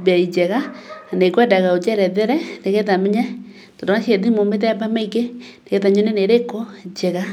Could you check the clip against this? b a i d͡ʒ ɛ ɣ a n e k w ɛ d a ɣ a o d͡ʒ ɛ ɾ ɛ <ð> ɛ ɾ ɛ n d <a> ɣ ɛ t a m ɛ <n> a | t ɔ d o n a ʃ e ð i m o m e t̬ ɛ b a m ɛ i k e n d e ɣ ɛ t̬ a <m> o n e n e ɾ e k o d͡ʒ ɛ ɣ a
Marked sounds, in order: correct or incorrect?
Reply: correct, incorrect: e, incorrect: ɲ, incorrect: ɲ

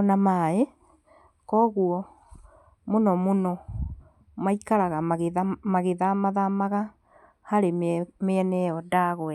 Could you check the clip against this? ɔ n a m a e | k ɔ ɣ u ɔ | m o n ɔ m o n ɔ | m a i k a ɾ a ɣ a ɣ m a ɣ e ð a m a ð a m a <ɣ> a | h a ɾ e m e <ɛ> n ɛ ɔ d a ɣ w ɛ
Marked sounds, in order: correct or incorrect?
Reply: correct, correct

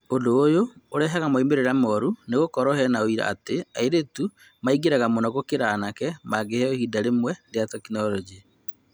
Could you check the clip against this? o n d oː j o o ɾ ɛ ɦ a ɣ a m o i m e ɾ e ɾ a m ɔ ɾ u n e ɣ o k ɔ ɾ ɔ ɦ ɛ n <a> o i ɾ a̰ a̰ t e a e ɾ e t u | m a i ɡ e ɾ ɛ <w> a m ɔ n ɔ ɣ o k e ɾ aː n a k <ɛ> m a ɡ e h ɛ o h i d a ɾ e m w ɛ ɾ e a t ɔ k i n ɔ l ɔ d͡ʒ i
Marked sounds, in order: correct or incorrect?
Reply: correct, incorrect: ɣ, correct

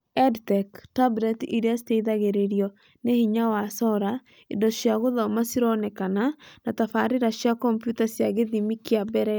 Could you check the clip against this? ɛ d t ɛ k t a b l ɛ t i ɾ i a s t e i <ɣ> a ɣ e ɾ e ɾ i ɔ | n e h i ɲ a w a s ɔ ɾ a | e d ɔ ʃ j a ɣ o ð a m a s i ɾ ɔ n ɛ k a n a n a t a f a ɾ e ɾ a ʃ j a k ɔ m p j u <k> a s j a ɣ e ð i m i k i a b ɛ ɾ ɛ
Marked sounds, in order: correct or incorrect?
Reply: incorrect: ð, incorrect: t

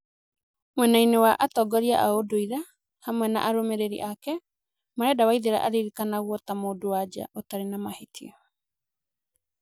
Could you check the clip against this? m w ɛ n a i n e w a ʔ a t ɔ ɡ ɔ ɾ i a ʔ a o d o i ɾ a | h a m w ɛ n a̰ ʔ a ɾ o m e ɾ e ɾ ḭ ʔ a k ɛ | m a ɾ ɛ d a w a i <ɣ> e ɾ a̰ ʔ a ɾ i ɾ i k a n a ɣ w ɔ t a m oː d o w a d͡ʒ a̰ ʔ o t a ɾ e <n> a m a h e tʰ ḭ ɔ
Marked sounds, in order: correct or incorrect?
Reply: incorrect: ð, correct

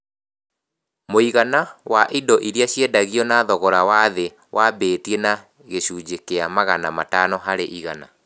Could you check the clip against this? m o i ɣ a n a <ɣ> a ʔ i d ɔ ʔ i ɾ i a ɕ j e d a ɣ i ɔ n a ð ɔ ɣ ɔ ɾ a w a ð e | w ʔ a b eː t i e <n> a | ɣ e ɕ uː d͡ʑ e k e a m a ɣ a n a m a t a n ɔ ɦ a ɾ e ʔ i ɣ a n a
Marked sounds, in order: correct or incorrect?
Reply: incorrect: w, correct

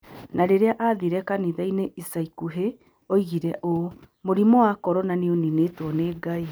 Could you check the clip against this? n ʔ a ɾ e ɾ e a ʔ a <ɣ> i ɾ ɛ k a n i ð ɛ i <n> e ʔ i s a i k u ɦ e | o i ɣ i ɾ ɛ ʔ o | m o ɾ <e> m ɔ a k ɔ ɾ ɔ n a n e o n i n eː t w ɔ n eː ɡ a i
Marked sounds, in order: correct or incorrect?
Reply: incorrect: ð, correct, incorrect: i

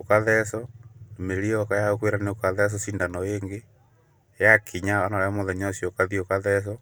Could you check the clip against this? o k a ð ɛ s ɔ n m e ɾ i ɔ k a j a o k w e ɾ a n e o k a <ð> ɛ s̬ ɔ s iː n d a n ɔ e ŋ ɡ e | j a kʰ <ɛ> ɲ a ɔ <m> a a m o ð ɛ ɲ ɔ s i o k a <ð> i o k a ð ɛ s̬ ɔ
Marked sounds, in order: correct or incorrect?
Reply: correct, incorrect: i, incorrect: n, correct

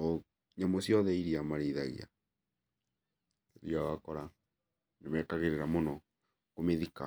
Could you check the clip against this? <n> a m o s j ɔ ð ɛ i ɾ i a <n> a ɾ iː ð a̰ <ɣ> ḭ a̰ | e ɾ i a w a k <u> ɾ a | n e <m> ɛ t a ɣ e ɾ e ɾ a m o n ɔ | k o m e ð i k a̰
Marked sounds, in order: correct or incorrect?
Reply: incorrect: ɲ, incorrect: m, correct, incorrect: ɔ, correct

